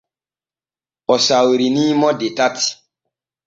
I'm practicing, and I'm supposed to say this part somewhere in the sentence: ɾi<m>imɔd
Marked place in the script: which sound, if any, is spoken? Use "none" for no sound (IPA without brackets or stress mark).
n